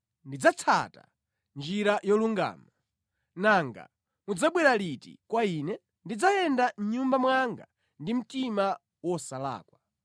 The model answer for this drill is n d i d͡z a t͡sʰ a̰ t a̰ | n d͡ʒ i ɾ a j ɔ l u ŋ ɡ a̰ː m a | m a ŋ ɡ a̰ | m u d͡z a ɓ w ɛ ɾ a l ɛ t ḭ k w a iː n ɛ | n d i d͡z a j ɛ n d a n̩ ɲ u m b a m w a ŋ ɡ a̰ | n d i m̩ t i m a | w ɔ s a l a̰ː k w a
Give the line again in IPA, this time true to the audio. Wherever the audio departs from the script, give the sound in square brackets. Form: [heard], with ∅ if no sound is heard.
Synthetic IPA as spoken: n d i d͡z a t͡sʰ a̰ t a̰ | n d͡ʒ i ɾ a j ɔ l u ŋ ɡ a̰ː m a | [n] a ŋ ɡ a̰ | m u d͡z a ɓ w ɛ ɾ a l [i] t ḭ k w a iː n ɛ | n d i d͡z a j ɛ n d a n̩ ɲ u m b a m w a ŋ ɡ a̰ | n d i m̩ t i m a | w ɔ s a l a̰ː k w a

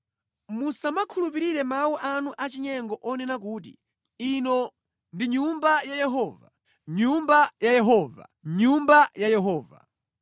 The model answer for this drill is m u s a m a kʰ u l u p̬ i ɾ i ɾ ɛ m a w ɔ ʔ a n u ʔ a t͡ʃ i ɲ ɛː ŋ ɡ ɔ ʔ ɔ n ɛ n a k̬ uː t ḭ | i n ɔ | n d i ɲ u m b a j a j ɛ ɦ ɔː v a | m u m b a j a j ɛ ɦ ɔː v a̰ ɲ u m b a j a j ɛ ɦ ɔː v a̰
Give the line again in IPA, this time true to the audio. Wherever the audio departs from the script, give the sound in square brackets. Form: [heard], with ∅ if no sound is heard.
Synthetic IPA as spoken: m u s a m a kʰ u l u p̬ i ɾ i ɾ ɛ m a w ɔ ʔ a n u ʔ a t͡ʃ i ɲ [ɛ] ŋ ɡ ɔ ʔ ɔ n ɛ n a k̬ uː t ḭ | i n ɔ | n d i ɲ u m b a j a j ɛ ɦ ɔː v a | [ɲ] u m b a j a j ɛ ɦ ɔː v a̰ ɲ u m b a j a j ɛ ɦ ɔː v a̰

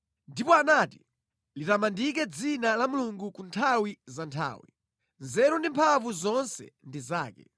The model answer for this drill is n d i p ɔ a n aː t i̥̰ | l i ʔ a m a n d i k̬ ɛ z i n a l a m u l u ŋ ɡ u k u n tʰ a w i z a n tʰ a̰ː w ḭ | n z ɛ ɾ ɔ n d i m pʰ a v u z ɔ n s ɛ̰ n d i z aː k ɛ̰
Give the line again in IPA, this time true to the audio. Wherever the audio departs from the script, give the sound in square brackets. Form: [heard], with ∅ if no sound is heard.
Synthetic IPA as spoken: n d i p ɔ a n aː t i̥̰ | l i [t] a m a n d i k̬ ɛ [d͡z] i n a l a m u l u ŋ ɡ u k u n tʰ a w i z a n tʰ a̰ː w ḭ | n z ɛ ɾ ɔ n d i m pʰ a v u z ɔ n s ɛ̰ n d i z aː k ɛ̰

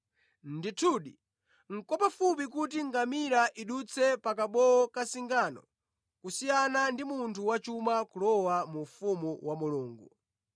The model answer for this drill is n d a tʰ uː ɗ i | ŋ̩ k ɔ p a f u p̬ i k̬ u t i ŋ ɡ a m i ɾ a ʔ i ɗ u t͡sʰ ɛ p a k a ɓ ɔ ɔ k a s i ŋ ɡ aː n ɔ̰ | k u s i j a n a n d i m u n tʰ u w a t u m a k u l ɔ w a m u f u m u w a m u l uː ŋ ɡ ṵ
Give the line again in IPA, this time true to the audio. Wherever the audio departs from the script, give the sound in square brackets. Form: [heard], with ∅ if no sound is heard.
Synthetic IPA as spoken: n d [i] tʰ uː ɗ i | ŋ̩ k ɔ p a f u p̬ i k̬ u t i ŋ ɡ a m i ɾ a ʔ i ɗ u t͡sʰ ɛ p a k a ɓ ɔ ɔ k a s i ŋ ɡ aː n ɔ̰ | k u s i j a n a n d i m u n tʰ u w a [t͡ʃ] u m a k u l ɔ w a m u f u m u w a m u l uː ŋ ɡ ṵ

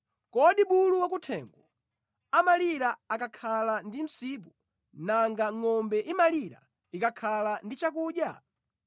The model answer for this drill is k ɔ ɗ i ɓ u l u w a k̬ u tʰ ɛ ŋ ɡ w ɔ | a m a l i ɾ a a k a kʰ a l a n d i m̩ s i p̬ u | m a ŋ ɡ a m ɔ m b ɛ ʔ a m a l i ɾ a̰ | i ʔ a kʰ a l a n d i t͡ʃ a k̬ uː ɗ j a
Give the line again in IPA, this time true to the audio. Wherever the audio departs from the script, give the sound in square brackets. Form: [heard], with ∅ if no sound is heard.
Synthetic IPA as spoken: k ɔ ɗ i ɓ u l u w a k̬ u tʰ ɛ ŋ ɡ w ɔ | a m a l i ɾ a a k a kʰ a l a n d i m̩ s i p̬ u | [n] a ŋ ɡ a [ŋ] ɔ m b ɛ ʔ [i] m a l i ɾ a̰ | i [k] a kʰ a l a n d i t͡ʃ a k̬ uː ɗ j a

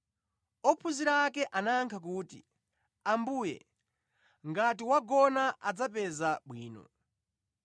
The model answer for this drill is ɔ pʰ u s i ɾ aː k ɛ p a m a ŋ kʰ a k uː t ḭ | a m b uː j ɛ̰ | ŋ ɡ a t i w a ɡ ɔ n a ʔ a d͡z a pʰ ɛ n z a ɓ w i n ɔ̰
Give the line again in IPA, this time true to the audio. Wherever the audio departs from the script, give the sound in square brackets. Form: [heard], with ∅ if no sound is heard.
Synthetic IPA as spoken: ɔ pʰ u [z] i ɾ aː k ɛ [ʔ] a [n] a ŋ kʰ a k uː t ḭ | a m b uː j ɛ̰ | ŋ ɡ a t i w a ɡ ɔ n a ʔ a d͡z a [p] ɛ [∅] z a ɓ w [iː] n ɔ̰

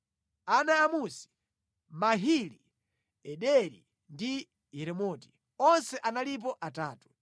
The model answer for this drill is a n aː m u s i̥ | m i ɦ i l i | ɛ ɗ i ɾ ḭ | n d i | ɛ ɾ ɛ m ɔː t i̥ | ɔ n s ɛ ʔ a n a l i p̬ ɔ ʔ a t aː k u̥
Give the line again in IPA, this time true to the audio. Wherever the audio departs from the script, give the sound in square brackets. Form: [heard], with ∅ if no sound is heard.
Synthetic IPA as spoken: a n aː m u s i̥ | m [a] ɦ i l i | ɛ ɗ [ɛ] ɾ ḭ | n d i | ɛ ɾ ɛ m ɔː t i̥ | ɔ n s ɛ ʔ a n a l i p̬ ɔ ʔ a t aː [t] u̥

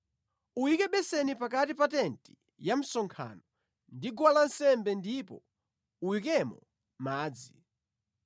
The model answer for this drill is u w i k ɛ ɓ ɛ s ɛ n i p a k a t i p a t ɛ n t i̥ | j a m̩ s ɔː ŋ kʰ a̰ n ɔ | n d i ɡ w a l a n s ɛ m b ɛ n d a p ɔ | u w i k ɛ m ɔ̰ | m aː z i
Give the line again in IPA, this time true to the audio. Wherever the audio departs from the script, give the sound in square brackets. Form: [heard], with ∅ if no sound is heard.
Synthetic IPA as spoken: u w i k ɛ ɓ ɛ s ɛ n i p a k a t i p a t ɛ n t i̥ | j a m̩ s [ɔ] ŋ kʰ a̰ n ɔ | n d i ɡ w a l a n s ɛ m b ɛ n d [i] p ɔ | u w i k ɛ m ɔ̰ | m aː [d͡z] i

